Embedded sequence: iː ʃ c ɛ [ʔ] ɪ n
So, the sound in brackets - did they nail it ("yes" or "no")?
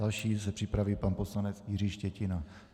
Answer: no